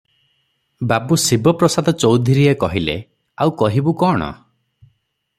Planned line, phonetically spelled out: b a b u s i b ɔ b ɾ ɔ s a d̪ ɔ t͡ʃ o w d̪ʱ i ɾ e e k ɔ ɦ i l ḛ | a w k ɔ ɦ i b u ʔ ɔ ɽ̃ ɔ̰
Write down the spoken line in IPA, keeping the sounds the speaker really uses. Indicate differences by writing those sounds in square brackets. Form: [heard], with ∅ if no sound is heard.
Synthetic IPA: b a b u s i b ɔ [p] ɾ ɔ s a d̪ ɔ t͡ʃ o w d̪ʱ i ɾ [i] e k ɔ ɦ i l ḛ | a w k ɔ ɦ i b u [k] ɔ ɽ̃ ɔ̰